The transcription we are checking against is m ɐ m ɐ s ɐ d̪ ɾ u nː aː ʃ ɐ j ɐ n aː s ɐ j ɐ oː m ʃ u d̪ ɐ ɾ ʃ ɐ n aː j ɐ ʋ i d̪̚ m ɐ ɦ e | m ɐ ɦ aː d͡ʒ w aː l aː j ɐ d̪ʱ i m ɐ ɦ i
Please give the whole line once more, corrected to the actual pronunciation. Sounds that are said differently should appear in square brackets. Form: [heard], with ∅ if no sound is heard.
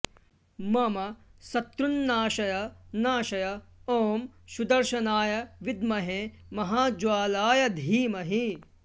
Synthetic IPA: m ɐ m ɐ s ɐ [t̪] ɾ u nː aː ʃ ɐ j ɐ n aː [ʃ] ɐ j ɐ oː m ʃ u d̪ ɐ ɾ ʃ ɐ n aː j ɐ ʋ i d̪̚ m ɐ ɦ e | m ɐ ɦ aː d͡ʒ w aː l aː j ɐ d̪ʱ [iː] m ɐ ɦ i